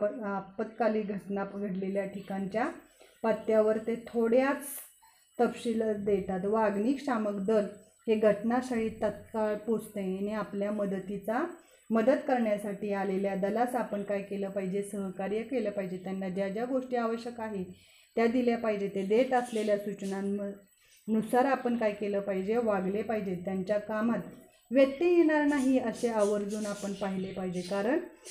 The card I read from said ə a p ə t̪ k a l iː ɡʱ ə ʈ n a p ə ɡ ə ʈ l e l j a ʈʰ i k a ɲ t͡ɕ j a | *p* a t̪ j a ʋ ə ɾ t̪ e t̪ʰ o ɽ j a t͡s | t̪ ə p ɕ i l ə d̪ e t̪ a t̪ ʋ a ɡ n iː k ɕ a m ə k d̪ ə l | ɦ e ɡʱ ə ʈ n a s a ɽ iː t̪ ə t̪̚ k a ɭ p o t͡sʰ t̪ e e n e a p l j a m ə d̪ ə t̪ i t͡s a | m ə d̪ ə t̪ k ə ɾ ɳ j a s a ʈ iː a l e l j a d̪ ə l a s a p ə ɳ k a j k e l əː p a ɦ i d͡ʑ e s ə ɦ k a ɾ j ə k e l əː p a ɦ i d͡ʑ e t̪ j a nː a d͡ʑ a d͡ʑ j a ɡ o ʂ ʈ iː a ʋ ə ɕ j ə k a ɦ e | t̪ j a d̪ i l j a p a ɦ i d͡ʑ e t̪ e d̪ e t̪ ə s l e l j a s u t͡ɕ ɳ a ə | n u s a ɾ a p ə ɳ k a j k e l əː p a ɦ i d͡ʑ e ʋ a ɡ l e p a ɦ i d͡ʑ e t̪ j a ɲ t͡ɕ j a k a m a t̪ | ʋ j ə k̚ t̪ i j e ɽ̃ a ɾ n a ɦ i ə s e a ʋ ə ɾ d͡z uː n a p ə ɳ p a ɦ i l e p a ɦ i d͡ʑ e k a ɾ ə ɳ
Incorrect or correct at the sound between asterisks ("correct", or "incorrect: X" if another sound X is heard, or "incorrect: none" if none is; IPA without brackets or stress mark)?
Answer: correct